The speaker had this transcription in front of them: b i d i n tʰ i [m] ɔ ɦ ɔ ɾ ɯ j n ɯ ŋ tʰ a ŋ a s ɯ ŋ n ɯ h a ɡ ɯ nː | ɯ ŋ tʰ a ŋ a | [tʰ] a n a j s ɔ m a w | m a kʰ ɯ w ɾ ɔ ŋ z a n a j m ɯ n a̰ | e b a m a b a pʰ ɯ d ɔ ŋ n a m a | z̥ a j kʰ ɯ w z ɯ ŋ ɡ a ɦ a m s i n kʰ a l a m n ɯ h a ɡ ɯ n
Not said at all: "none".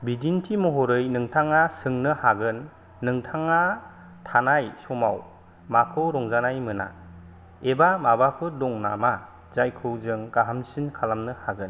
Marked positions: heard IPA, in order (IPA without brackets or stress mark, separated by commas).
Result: m, tʰ